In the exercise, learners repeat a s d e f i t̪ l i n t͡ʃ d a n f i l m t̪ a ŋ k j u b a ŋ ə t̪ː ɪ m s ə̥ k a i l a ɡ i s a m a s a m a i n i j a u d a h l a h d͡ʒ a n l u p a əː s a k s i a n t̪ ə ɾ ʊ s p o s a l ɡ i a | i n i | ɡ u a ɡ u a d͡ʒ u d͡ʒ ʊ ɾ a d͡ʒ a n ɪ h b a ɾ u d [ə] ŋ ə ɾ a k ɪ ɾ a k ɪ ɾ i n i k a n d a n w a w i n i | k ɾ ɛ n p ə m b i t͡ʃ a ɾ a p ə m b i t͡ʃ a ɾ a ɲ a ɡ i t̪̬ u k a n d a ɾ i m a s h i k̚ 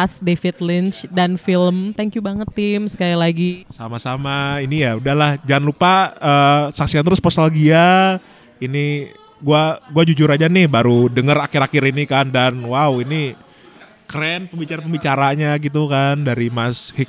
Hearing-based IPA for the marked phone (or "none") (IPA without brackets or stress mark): ə